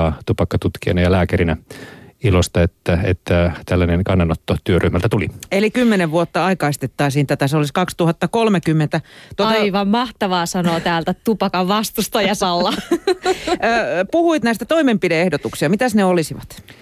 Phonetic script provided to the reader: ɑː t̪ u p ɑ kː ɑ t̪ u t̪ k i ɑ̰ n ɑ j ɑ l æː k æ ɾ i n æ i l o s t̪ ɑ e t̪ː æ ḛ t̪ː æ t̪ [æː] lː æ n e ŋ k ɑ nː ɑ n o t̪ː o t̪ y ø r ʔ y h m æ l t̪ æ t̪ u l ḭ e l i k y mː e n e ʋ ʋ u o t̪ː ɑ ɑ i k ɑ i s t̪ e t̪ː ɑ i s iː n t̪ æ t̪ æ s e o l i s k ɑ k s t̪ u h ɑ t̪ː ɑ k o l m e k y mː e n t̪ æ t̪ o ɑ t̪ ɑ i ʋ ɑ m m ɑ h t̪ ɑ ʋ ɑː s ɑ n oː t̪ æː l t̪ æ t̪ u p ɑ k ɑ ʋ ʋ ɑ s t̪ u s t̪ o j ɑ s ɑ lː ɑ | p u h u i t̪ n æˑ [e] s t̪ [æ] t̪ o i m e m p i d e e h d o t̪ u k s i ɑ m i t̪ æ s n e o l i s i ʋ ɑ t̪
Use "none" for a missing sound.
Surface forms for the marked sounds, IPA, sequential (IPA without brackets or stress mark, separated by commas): æ, i, æ